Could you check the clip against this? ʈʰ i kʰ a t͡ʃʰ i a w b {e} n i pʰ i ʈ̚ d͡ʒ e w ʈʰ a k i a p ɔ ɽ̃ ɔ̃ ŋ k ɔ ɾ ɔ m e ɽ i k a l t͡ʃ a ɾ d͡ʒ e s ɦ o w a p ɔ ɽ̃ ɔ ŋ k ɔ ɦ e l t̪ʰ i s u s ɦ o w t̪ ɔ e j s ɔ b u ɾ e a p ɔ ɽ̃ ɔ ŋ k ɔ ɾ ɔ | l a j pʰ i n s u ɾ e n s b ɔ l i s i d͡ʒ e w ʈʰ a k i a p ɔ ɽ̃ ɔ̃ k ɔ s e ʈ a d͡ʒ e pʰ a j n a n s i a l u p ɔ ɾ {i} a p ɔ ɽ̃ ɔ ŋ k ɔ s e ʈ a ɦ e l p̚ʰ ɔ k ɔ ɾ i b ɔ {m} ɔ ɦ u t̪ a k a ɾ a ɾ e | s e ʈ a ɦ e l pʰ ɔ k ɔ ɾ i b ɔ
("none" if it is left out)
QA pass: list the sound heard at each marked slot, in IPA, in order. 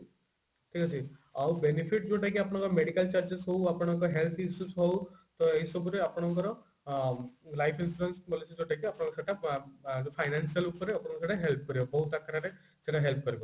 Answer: e, e, b

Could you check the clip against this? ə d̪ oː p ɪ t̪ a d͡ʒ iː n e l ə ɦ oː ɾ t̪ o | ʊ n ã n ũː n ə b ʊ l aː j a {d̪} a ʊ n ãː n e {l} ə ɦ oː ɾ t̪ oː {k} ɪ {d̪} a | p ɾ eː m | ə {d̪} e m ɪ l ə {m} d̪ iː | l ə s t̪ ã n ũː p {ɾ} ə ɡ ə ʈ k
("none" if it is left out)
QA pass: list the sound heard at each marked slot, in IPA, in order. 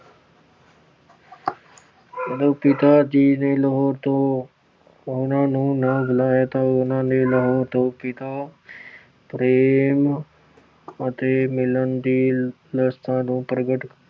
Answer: t̪, l, p, t̪, t̪, n, ɾ

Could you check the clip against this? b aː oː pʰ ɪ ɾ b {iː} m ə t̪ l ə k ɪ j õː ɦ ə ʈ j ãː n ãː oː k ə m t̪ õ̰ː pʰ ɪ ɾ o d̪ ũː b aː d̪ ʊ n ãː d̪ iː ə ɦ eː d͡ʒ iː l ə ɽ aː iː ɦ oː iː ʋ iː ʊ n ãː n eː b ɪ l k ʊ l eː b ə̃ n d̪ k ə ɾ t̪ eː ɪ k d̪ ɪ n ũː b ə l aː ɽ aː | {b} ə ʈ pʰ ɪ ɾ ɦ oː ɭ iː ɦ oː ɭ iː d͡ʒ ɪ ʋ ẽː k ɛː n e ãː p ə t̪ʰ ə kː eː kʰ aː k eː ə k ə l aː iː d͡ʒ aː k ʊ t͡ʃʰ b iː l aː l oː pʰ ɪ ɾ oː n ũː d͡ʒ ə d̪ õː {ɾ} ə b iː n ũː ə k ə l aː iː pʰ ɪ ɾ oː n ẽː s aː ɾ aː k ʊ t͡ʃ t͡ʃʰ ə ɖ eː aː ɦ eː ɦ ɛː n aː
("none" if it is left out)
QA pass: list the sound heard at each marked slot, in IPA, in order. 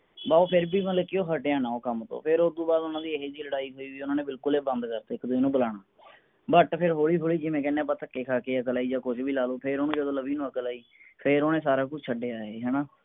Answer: iː, b, l

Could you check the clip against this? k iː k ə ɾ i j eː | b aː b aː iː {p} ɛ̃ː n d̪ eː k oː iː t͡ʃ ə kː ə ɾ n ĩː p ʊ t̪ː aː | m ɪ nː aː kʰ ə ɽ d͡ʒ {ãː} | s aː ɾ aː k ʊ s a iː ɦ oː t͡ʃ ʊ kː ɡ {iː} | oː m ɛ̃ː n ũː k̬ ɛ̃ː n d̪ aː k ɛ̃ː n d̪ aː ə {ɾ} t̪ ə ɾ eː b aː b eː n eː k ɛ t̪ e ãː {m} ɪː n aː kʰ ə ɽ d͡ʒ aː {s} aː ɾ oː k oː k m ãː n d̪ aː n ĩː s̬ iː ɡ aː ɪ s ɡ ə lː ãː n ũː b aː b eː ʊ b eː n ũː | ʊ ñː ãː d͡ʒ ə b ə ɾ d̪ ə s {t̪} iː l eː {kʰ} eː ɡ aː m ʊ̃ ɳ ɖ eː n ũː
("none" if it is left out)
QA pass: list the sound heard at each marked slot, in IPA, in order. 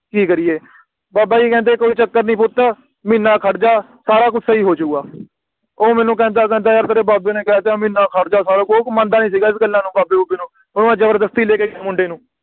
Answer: k, aː, aː, ɾ, m, s, t̪, k

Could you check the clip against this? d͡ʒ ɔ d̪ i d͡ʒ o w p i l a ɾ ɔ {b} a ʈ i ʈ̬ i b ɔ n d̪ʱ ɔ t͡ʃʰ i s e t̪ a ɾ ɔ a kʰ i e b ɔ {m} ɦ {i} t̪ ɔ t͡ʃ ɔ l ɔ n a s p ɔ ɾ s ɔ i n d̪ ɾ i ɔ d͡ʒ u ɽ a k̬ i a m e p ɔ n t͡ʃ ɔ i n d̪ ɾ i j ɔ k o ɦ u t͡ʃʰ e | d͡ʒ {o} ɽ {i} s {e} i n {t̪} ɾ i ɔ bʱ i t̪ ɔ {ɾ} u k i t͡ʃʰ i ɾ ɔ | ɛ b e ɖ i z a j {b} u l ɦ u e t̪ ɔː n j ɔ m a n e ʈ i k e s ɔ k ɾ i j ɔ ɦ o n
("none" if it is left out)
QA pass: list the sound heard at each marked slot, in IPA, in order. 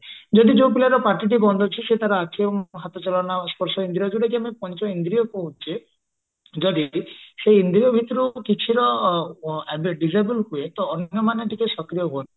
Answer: p, ŋ, a, ɔ, i, e, d̪, ɾ, b

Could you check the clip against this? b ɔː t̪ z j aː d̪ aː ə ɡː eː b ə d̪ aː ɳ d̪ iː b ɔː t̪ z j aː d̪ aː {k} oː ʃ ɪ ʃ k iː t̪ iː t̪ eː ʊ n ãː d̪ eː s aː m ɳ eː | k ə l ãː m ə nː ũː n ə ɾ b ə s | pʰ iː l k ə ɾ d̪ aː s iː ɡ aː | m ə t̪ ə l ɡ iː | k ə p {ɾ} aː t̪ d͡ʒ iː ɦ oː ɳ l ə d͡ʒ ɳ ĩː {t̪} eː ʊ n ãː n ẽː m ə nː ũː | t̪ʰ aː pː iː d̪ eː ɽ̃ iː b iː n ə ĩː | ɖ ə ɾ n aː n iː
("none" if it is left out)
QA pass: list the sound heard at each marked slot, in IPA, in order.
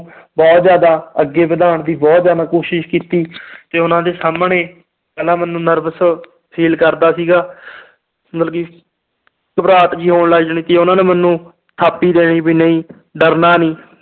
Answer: k, ɾ, t̪

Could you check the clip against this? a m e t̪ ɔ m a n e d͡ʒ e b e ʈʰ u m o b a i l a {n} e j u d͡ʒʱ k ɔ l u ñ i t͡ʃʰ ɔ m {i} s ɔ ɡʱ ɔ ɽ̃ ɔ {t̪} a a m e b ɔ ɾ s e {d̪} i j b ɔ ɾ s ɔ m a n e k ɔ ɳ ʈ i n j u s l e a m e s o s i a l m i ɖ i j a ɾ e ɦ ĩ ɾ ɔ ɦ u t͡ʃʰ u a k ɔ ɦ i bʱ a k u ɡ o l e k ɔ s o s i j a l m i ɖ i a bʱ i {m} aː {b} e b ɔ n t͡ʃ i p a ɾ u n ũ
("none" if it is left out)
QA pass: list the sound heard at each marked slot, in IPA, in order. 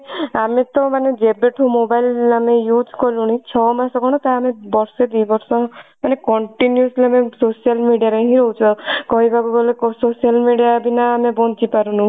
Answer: m, a, t̪, d̪, n, m

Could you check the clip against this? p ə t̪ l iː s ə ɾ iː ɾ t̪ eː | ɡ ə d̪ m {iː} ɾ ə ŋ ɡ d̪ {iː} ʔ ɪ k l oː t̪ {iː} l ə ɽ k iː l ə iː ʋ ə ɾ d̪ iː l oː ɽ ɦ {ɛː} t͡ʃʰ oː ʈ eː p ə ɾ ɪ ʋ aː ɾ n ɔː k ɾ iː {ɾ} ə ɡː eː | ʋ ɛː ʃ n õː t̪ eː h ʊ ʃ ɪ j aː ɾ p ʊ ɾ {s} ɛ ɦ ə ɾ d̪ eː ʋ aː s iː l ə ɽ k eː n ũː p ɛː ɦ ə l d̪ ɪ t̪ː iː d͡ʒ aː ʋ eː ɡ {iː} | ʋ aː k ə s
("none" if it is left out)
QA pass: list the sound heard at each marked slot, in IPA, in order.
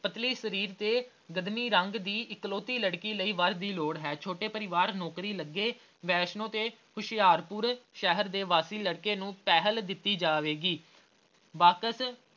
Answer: iː, iː, iː, ɛː, l, ʃ, iː

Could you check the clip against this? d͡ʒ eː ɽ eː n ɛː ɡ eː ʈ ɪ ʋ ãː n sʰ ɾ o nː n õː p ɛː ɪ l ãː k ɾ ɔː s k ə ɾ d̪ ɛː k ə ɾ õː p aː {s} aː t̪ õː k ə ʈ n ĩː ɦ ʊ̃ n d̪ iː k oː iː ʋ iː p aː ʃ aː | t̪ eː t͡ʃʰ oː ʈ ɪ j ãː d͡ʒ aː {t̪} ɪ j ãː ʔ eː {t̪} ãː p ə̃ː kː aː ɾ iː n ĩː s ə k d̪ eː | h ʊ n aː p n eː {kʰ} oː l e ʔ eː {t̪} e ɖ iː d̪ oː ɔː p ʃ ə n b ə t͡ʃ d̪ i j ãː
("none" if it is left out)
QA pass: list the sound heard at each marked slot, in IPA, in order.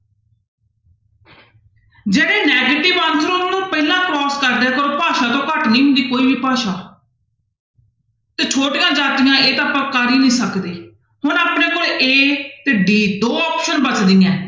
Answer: ʃ, t̪, t̪, k, t̪

